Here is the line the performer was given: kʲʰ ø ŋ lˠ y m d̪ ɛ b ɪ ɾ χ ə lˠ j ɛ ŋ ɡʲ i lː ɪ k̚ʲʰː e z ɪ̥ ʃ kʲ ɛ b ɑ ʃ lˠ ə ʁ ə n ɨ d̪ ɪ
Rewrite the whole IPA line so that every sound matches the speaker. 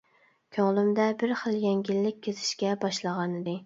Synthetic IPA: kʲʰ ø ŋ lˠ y m d̪ ɛ b ɪ ɾ χ ə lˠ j ɛ ŋ ɡʲ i lː ɪ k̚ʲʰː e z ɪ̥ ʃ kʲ ɛ b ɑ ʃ lˠ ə ʁ ɑ n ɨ d̪ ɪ